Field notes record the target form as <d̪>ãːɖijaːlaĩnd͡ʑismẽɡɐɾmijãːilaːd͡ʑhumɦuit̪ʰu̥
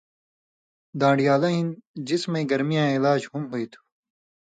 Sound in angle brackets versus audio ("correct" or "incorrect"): correct